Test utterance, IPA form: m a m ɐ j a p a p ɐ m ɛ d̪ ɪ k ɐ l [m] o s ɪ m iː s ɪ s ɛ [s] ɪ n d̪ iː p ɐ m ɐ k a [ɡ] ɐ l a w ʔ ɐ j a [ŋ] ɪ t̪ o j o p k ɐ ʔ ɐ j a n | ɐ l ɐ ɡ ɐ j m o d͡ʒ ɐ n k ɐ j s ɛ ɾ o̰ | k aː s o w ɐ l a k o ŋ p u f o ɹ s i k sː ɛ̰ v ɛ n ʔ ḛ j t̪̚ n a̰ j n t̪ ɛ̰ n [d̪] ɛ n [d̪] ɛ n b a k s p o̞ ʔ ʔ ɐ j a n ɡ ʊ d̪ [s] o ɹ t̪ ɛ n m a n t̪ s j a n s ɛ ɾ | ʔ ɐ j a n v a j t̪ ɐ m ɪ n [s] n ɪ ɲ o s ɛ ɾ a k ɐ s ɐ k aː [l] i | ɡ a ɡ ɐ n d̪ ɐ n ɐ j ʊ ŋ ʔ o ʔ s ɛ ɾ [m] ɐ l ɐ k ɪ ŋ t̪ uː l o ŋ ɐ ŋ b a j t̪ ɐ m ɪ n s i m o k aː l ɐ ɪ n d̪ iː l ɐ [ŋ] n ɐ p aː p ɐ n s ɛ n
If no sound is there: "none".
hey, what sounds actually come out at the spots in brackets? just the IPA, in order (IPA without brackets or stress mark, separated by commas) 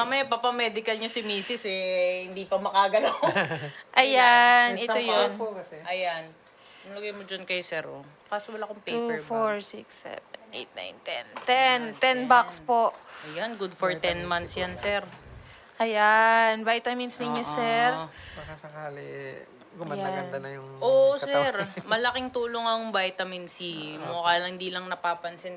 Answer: ɲ, h, ɡ, n, t̪, t̪, f, s, l, m, ŋ